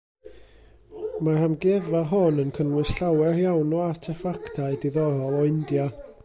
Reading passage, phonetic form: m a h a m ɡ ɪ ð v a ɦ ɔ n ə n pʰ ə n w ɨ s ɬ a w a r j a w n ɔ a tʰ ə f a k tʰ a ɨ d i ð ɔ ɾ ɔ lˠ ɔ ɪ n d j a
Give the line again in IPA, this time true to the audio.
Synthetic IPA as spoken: m a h a m ɡ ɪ ð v a ɦ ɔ n ə n kʰ ə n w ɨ s ɬ a w ɛ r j a w n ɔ a tʰ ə f a k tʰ a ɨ d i ð ɔ ɾ ɔ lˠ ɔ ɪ n d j a